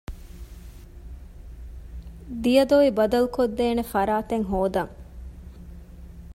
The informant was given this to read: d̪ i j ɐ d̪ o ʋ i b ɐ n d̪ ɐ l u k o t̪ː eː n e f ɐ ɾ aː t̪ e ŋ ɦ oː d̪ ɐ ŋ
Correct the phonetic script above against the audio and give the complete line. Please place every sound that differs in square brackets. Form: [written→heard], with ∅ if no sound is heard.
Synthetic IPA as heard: d̪ i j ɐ d̪ o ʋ i b ɐ [n→∅] d̪ ɐ l u k o [t̪ː→d̪ː] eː n e f ɐ ɾ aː t̪ e ŋ ɦ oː d̪ ɐ ŋ